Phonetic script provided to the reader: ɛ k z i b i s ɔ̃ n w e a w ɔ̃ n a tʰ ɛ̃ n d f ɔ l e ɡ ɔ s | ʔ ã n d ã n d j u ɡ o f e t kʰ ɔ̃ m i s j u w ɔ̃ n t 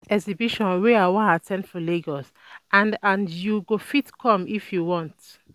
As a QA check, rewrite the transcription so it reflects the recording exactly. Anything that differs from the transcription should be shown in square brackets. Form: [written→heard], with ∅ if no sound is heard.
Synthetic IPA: ɛ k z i b i [s→ʃ] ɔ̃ n w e a w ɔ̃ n a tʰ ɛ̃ n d f ɔ l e ɡ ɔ s | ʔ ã n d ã n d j u ɡ o f [e→i] t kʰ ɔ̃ m i [s→f] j u w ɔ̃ n t

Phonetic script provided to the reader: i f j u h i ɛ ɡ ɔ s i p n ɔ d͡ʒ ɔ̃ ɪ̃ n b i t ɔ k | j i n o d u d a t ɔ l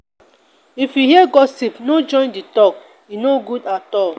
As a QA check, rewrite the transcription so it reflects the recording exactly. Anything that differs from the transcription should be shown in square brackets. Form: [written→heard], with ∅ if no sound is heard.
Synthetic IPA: i f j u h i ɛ ɡ ɔ s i p n [ɔ→o] d͡ʒ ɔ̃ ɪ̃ n [b→d] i t ɔ k | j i n o [d→ɡ] u d a t ɔ l

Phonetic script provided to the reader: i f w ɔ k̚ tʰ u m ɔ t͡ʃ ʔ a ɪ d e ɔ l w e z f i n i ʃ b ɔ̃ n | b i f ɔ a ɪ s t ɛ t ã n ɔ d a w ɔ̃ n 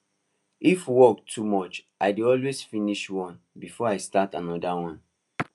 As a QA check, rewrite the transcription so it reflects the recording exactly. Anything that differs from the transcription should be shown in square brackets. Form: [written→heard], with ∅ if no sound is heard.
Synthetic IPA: i f w ɔ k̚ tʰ u m ɔ t͡ʃ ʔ a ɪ d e ɔ l w e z f i n i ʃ [b→w] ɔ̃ n | b i f ɔ a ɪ s t [ɛ→a] t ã n ɔ d a w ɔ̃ n

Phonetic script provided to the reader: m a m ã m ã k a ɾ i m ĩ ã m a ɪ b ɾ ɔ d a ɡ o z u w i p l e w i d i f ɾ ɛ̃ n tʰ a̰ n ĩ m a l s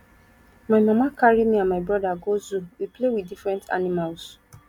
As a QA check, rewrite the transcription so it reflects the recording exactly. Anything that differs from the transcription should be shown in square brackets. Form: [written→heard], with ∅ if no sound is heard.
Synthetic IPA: m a m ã m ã k a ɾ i m ĩ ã m a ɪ b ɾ ɔ d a ɡ o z u w i p l e w i d i f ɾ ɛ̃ n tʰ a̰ n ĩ m a l s

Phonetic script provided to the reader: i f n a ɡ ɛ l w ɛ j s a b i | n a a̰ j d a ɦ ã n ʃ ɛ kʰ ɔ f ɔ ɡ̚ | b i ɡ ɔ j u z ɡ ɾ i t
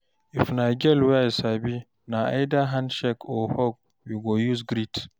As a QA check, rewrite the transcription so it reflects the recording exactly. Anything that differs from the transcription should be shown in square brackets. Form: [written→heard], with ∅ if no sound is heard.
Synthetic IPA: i f n a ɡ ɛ l w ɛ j s a b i | n a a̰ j d a ɦ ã n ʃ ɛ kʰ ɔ [f→h] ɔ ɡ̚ | [b→w] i ɡ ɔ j u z ɡ ɾ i t

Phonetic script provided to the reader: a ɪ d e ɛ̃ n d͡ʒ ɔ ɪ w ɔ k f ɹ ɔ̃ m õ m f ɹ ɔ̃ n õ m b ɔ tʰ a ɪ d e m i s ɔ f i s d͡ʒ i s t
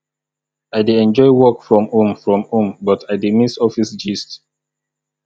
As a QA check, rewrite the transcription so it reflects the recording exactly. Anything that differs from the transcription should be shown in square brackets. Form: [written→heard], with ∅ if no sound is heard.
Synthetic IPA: a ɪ d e ɛ̃ n d͡ʒ ɔ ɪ w ɔ k f ɹ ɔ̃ m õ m f ɹ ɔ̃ [n→m] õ m b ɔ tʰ a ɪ d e m i s ɔ f i s d͡ʒ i s t

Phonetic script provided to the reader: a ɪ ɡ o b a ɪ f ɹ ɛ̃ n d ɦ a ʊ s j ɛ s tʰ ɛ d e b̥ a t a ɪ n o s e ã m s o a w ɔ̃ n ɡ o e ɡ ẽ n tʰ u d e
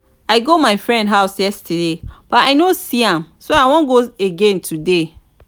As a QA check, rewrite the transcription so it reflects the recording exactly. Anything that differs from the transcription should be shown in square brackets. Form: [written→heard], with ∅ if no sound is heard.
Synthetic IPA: a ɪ ɡ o [b→m] a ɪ f ɹ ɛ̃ n d ɦ a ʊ s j ɛ s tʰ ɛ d e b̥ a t a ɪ n o s [e→i] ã m s o a w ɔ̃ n ɡ o e ɡ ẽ n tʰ u d e

